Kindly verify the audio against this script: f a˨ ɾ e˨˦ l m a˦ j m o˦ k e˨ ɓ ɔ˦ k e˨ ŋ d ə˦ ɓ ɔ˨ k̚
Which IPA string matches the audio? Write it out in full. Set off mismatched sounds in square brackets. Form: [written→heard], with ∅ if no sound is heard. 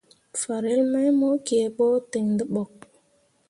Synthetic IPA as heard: f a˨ ɾ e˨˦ l m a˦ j m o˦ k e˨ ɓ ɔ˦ [k→t] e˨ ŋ d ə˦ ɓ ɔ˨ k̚

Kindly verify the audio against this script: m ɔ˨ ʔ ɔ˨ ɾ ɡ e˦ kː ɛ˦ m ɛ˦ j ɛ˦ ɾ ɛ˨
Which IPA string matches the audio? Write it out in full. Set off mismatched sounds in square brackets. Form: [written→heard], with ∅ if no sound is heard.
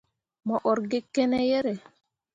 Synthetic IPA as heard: m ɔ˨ ʔ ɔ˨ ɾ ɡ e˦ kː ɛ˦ [m→n] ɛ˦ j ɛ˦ ɾ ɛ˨

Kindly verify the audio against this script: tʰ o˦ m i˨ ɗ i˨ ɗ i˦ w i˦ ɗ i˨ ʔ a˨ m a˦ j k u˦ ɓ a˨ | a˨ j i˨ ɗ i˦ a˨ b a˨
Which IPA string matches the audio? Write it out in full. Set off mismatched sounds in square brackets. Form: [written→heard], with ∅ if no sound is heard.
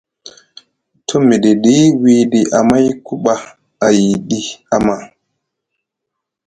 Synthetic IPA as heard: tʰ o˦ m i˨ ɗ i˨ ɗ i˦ w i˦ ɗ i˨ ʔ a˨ m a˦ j k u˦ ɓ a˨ | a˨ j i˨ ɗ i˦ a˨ [b→m] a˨

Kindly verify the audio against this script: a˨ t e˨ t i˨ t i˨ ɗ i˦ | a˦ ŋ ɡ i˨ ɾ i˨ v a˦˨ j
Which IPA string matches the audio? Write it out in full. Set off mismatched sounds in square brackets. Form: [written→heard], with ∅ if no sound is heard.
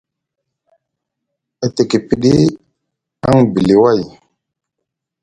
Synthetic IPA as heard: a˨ t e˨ [t→k] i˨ [t→p] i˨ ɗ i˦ | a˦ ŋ [ɡ→b] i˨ [ɾ→l] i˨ [v→w] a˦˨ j

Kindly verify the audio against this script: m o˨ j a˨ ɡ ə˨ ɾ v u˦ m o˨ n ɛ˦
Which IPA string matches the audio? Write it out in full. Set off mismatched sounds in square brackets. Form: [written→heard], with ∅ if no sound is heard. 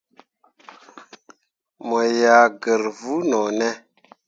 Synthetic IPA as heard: m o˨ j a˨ ɡ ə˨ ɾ v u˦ [m→n] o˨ n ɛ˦

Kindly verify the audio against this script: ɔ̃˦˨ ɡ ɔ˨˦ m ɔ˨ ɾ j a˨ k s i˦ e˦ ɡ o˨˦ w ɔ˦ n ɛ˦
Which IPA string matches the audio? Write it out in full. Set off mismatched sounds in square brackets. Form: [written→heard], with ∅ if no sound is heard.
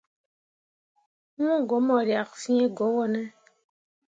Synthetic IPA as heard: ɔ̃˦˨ ɡ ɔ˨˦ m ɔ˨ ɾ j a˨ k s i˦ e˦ ɡ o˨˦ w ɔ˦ n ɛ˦

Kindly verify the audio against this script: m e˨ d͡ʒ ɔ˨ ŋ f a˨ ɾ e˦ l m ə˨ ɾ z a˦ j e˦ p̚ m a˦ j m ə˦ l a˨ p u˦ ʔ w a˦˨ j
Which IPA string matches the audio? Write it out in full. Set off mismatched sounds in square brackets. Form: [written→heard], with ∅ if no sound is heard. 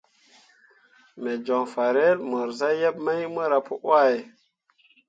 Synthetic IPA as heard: m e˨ d͡ʒ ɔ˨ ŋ f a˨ ɾ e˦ l m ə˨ ɾ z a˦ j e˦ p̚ m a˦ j m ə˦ [l→ɾ] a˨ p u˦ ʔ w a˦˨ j

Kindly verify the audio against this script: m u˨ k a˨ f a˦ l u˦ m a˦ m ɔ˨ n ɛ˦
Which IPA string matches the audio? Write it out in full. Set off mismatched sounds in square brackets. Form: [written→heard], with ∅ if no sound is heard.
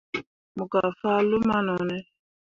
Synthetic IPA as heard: m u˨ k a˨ f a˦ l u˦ m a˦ [m→n] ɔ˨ n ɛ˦

